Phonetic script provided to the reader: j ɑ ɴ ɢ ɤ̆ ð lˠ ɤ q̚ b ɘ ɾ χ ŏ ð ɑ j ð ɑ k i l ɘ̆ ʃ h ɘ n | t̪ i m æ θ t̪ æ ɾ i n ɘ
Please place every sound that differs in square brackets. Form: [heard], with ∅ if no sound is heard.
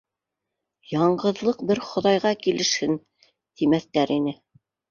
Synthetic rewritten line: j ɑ ɴ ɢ ɤ̆ ð lˠ ɤ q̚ b ɘ ɾ χ ŏ ð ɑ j [ʁ] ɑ k i l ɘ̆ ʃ h ɘ n | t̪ i m æ θ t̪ æ ɾ i n ɘ

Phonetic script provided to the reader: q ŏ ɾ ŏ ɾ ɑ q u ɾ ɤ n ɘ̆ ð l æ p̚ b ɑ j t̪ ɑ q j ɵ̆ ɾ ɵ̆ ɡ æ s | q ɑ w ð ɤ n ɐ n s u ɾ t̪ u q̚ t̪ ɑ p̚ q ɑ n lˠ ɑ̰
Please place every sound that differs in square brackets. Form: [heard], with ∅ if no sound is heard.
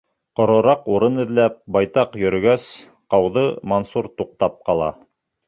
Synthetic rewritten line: q ŏ ɾ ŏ ɾ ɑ q u ɾ ɤ n ɘ̆ ð l æ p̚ b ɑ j t̪ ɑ q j ɵ̆ ɾ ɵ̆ ɡ æ s | q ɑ w ð ɤ [m] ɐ n s u ɾ t̪ u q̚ t̪ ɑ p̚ q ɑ [∅] lˠ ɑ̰

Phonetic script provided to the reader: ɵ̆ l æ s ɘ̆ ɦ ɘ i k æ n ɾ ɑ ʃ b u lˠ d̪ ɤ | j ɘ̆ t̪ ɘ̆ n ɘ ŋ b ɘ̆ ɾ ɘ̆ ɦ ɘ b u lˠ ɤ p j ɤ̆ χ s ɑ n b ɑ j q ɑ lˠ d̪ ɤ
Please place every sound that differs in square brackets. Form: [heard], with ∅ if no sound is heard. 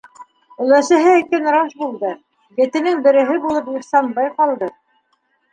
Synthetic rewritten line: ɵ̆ l æ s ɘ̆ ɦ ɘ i k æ n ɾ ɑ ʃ b u lˠ d̪ ɤ | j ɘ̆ t̪ ɘ̆ n ɘ ŋ b ɘ̆ ɾ ɘ̆ ɦ ɘ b u lˠ ɤ p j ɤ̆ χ s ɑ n b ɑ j q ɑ lˠ d̪ ɤ

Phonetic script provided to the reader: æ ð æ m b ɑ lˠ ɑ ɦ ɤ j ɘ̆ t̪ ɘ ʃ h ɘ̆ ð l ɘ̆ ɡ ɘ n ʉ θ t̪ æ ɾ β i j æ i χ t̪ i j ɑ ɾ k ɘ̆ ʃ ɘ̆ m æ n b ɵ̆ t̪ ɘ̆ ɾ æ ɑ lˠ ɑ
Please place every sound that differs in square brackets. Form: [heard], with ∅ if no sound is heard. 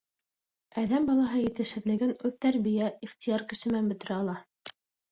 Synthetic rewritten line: æ ð æ m b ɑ lˠ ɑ ɦ ɤ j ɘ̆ t̪ ɘ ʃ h ɘ̆ ð l ɘ̆ ɡ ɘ n ʉ [ð] t̪ æ ɾ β i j æ i χ t̪ i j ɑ ɾ k ɘ̆ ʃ ɘ̆ m æ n b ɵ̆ t̪ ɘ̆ ɾ æ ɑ lˠ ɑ

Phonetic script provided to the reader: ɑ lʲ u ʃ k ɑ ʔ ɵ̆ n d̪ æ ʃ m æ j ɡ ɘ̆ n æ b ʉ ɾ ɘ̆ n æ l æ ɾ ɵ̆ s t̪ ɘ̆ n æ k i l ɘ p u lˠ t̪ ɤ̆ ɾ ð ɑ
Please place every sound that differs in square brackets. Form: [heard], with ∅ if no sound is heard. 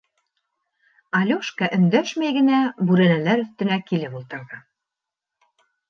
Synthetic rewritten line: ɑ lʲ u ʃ k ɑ ʔ ɵ̆ n d̪ æ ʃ m æ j ɡ ɘ̆ n æ b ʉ ɾ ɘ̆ n æ l æ ɾ ɵ̆ [θ] t̪ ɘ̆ n æ k i l ɘ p u lˠ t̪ ɤ̆ ɾ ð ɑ

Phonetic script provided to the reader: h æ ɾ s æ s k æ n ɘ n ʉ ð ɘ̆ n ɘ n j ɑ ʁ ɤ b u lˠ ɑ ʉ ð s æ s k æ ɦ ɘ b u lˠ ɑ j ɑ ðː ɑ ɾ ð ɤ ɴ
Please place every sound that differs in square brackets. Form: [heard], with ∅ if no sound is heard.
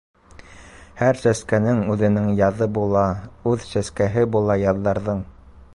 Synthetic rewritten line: h æ ɾ s æ s k æ n ɘ [ŋ] ʉ ð ɘ̆ n ɘ [ŋ] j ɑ [ð] ɤ b u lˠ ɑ ʉ ð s æ s k æ ɦ ɘ b u lˠ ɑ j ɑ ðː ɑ ɾ ð ɤ ɴ

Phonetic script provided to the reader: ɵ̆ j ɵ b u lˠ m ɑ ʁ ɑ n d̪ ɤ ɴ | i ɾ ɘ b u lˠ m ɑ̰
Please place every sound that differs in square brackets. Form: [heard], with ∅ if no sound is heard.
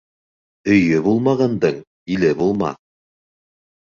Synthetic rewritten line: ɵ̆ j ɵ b u lˠ m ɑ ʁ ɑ n d̪ ɤ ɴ | i [l] ɘ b u lˠ m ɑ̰

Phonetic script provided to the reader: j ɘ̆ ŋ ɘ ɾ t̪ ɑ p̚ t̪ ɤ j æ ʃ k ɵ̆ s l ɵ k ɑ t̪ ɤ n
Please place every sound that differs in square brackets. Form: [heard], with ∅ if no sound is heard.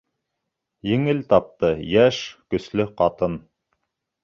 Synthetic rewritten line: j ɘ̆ ŋ ɘ [l] t̪ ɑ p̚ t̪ ɤ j æ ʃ k ɵ̆ s l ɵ [q] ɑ t̪ ɤ n

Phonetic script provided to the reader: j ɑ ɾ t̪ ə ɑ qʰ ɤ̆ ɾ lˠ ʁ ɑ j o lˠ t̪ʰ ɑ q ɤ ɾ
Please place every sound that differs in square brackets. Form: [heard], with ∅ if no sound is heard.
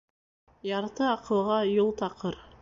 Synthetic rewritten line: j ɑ ɾ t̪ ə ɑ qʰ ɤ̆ [∅] lˠ ʁ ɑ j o lˠ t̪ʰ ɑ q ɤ ɾ

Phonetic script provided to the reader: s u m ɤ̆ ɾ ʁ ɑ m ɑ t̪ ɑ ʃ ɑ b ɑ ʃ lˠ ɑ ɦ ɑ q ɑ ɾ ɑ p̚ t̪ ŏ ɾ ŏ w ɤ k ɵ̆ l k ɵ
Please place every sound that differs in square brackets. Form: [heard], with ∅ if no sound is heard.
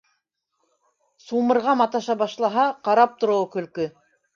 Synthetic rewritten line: s u m ɤ̆ ɾ ʁ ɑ m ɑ t̪ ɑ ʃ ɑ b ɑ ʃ lˠ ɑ ɦ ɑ q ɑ ɾ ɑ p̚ t̪ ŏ ɾ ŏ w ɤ k ɵ̆ l k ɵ

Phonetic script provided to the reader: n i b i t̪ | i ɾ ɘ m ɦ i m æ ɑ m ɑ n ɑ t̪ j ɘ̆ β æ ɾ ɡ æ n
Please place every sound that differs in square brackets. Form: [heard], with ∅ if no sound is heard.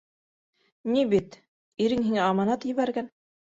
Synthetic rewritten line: n i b i t̪ | i ɾ ɘ [ŋ] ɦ i [ŋ] æ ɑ m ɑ n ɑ t̪ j ɘ̆ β æ ɾ ɡ æ n

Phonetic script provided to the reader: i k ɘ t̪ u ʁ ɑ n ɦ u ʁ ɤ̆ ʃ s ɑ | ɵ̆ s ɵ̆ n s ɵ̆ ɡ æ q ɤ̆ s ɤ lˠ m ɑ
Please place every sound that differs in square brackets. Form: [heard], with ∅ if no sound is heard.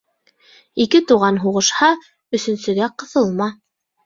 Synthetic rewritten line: i k ɘ t̪ u ʁ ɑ n ɦ u ʁ ɤ̆ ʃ [h] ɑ | ɵ̆ s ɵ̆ n s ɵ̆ ɡ æ q ɤ̆ [θ] ɤ lˠ m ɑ

